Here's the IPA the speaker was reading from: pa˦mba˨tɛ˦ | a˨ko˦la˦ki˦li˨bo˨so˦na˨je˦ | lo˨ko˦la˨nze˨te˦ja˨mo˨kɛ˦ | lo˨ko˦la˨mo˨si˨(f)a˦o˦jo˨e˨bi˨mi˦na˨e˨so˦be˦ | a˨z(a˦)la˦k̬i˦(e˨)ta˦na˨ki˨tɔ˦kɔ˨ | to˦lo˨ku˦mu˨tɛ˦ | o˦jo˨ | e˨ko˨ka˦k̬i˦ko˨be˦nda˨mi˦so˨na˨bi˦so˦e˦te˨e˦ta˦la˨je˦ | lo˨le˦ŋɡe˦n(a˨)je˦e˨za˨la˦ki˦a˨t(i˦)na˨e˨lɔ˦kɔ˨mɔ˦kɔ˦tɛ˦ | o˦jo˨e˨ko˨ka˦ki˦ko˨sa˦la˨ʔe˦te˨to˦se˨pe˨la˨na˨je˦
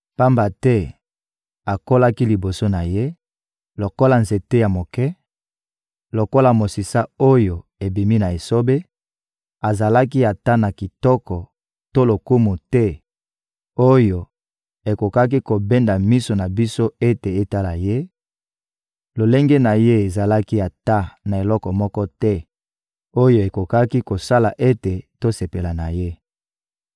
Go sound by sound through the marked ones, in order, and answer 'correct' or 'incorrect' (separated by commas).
incorrect, incorrect, incorrect, correct, incorrect